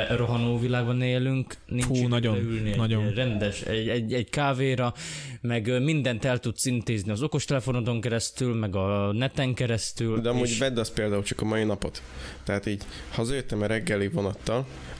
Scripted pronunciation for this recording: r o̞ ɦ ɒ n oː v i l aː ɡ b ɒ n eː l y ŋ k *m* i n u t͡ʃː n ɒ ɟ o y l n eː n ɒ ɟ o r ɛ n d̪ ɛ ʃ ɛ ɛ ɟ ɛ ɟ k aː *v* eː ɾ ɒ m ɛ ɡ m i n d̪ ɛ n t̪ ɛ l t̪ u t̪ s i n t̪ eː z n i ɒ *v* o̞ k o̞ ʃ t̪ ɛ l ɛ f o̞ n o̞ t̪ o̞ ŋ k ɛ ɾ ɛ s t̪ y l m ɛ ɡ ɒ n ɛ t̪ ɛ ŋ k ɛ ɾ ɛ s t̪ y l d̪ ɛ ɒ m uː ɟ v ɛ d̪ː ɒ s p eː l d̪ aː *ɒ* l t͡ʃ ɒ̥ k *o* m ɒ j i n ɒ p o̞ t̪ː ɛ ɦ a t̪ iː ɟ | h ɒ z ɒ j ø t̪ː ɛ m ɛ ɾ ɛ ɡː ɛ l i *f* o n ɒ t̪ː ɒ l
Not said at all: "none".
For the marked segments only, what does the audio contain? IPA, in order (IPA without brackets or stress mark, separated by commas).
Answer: n, v, z, u, ɒ, v